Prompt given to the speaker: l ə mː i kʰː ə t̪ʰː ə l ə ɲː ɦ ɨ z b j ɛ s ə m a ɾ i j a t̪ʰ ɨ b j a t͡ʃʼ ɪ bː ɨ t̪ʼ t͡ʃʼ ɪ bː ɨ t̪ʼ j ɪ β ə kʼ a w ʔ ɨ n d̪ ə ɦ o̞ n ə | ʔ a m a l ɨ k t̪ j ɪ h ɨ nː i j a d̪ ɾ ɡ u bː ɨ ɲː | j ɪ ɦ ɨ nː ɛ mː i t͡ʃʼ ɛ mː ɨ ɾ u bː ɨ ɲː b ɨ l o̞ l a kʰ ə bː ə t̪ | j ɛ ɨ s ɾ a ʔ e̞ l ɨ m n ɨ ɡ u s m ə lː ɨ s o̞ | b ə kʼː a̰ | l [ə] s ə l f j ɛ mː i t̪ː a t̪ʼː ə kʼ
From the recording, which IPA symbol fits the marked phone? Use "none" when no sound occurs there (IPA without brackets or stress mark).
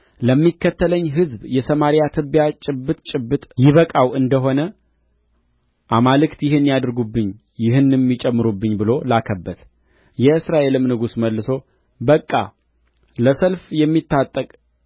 ə